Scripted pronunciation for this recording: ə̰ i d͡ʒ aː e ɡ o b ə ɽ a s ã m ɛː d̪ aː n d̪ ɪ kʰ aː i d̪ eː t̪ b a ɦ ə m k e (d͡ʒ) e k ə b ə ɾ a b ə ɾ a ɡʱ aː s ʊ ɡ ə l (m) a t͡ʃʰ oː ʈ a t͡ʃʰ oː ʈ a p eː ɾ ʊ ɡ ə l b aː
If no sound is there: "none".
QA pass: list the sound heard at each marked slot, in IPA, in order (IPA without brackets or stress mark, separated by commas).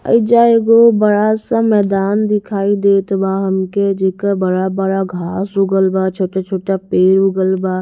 d͡ʒ, b